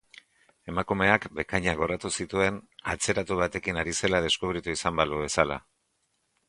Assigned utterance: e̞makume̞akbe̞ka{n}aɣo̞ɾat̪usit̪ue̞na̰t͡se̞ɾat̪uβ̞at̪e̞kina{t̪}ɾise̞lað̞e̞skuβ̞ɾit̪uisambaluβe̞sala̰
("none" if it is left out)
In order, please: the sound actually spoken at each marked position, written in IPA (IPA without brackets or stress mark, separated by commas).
ɲ, none